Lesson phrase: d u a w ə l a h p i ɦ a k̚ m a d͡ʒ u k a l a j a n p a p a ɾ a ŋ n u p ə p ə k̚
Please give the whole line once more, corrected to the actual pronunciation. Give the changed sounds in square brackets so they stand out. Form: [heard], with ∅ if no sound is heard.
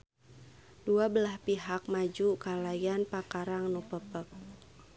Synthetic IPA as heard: d u a [b] ə l a h p i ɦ a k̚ m a d͡ʒ u k a l a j a n p a [k] a ɾ a ŋ n u p ə p ə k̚